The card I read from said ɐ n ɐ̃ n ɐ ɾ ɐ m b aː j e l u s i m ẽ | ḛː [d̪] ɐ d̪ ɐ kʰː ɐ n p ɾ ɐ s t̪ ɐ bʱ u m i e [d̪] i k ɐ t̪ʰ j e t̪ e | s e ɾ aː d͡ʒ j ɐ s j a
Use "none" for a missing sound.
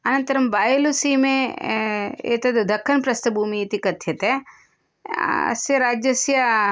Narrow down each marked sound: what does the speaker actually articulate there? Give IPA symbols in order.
t̪, t̪

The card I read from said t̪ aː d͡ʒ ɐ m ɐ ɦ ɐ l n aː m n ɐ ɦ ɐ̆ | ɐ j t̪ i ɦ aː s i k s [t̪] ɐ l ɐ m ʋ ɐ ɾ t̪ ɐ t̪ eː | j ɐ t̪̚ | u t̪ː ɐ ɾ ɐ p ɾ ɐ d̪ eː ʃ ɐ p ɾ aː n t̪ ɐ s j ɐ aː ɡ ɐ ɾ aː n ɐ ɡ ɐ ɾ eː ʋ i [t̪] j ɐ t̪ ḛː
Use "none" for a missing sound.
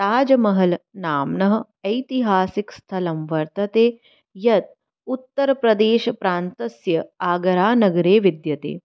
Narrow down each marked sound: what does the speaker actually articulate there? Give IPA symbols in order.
t̪ʰ, d̪

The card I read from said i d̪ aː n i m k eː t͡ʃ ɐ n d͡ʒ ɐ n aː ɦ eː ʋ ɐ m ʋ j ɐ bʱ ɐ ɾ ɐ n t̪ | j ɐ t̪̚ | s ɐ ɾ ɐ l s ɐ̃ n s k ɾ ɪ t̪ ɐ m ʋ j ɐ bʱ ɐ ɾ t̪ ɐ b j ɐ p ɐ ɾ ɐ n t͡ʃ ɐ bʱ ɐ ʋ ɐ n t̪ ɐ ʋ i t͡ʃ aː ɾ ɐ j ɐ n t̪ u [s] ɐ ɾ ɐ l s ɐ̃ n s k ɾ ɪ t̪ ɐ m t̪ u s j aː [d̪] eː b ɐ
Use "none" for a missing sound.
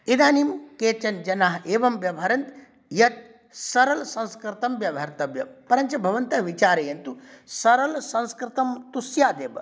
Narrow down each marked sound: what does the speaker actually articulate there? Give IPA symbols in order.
s, d̪

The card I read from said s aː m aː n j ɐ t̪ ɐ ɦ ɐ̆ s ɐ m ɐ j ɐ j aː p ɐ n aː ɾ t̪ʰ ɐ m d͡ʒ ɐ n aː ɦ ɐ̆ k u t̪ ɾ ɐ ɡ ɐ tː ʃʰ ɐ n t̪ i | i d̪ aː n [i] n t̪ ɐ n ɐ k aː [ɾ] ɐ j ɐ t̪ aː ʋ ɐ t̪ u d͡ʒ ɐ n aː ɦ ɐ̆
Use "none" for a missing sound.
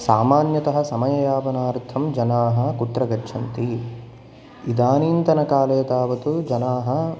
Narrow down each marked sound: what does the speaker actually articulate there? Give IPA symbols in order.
iː, l

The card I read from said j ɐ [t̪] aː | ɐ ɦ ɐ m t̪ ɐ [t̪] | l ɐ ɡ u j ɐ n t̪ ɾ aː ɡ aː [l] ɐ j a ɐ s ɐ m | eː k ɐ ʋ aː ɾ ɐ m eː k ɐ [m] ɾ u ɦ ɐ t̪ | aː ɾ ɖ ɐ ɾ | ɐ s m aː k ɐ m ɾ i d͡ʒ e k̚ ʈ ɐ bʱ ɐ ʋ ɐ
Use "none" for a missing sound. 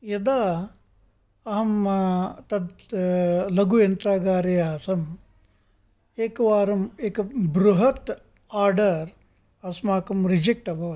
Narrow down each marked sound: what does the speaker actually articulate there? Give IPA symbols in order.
d̪, d̪, ɾ, b

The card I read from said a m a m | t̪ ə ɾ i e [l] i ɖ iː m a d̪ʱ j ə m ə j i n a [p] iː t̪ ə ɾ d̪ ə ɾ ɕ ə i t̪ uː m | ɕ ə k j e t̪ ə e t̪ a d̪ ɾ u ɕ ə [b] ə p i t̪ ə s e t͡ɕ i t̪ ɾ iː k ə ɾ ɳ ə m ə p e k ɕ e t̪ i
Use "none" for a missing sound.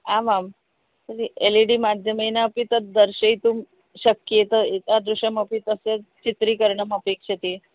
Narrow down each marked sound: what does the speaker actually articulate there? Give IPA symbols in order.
l, p, m

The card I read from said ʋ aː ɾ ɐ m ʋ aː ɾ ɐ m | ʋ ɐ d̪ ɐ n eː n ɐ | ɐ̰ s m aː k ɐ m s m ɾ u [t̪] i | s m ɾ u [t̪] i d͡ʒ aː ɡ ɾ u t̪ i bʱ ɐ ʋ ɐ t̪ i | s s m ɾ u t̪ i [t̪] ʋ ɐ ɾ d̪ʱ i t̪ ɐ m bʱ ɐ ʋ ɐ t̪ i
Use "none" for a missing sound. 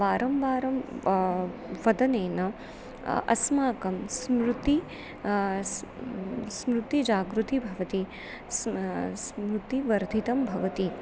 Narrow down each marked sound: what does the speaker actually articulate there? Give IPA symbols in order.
t̪, t̪, none

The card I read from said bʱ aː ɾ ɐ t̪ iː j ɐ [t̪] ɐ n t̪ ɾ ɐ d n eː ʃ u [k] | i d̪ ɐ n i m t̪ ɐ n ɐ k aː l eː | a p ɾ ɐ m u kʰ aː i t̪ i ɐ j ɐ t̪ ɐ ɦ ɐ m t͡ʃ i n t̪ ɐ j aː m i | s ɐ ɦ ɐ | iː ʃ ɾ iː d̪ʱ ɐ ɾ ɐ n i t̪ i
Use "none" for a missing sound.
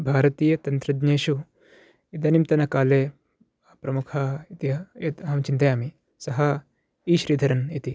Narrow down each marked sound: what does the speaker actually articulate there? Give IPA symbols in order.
t̪, none

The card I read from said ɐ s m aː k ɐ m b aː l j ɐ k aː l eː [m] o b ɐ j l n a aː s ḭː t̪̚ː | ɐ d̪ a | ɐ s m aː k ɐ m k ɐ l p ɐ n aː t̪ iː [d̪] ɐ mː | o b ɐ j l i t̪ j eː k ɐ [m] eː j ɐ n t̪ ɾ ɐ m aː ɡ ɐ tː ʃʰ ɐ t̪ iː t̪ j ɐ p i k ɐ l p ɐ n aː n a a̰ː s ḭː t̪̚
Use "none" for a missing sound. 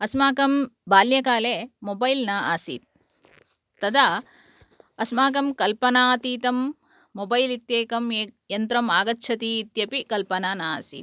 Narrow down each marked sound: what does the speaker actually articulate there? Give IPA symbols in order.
m, t̪, m

